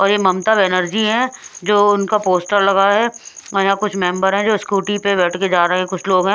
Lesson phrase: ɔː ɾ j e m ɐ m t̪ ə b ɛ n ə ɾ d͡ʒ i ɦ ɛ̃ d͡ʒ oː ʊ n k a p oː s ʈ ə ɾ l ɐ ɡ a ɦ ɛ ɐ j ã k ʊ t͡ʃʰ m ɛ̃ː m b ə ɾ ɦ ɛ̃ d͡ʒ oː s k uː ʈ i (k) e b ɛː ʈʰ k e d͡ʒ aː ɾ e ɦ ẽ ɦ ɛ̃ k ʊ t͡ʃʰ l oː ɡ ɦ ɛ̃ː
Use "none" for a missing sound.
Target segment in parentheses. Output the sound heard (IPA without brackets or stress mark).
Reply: p